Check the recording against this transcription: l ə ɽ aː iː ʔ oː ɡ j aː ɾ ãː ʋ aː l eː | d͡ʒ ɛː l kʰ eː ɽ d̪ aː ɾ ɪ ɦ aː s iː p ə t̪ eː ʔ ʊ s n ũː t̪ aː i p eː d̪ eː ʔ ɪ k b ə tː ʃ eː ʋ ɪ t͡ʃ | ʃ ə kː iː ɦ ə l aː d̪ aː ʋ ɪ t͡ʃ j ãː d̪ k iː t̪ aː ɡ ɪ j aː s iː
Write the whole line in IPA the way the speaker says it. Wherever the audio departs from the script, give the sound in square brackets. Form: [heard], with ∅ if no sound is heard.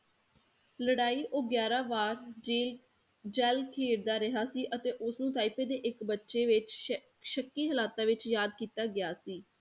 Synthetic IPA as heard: l ə ɽ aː iː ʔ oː ɡ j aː ɾ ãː ʋ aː [ɾ] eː | d͡ʒ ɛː l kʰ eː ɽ d̪ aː ɾ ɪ ɦ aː s iː [ʔ] ə t̪ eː ʔ ʊ s n ũː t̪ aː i p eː d̪ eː ʔ ɪ k b ə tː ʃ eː ʋ ɪ t͡ʃ | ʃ ə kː iː ɦ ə l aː [t̪] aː ʋ ɪ t͡ʃ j [aː] d̪ k iː t̪ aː ɡ ɪ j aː s iː

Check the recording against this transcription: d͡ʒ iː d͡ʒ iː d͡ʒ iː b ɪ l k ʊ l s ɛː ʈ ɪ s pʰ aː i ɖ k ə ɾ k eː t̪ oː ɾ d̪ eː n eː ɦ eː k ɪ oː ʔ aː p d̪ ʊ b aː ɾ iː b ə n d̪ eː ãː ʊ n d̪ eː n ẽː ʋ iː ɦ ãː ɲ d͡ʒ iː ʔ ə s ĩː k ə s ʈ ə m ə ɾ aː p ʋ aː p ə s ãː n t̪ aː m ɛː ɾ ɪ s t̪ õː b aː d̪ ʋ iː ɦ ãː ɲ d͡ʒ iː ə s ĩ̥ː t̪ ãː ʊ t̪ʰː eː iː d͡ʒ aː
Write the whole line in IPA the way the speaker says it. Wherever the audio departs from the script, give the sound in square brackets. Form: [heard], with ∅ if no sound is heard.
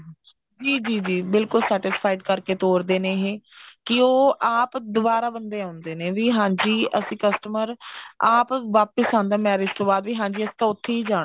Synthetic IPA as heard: d͡ʒ iː d͡ʒ iː d͡ʒ iː b ɪ l k ʊ l s ɛː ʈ ɪ s pʰ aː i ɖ k ə ɾ k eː t̪ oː ɾ d̪ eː n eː ɦ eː k ɪ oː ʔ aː p d̪ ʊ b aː ɾ [aː] b ə n d̪ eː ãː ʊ n d̪ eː n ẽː ʋ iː ɦ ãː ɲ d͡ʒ iː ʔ ə s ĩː k ə s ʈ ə m ə ɾ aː p ʋ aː p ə s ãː n [d̪] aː m ɛː ɾ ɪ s t̪ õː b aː d̪ ʋ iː ɦ ãː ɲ d͡ʒ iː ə s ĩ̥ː t̪ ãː ʊ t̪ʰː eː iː d͡ʒ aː

